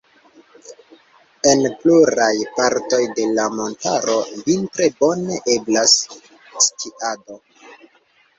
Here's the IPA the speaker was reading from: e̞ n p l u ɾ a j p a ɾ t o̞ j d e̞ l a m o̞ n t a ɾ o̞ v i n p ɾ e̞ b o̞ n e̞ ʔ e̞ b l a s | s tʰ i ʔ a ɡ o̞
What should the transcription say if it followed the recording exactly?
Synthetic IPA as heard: e̞ n p l u ɾ a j p a ɾ t o̞ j d e̞ l a m o̞ n t a ɾ o̞ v i n t ɾ e̞ b o̞ n e̞ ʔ e̞ b l a s | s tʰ i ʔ a d o̞